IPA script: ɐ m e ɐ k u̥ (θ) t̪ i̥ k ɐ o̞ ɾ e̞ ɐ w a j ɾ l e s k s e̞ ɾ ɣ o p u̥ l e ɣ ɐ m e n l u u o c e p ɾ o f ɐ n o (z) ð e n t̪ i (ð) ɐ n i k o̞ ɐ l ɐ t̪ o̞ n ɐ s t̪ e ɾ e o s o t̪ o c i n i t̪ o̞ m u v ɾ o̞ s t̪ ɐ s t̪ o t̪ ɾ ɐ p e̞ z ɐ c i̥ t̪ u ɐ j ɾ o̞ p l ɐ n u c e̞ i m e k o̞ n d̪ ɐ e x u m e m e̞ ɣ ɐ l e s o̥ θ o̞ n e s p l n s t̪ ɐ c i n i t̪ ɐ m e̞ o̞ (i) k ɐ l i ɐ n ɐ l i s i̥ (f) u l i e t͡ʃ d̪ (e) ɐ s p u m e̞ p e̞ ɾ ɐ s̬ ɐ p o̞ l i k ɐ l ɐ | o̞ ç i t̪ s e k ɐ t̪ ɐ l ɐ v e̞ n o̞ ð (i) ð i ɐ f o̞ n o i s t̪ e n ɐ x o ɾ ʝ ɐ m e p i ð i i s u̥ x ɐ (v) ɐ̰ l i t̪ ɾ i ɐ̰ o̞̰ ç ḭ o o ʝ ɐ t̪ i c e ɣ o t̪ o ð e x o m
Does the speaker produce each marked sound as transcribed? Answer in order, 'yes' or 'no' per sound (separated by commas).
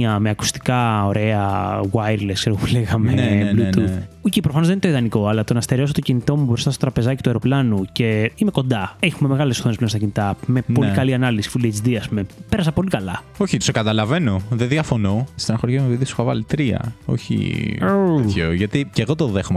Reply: no, yes, yes, yes, yes, no, no, yes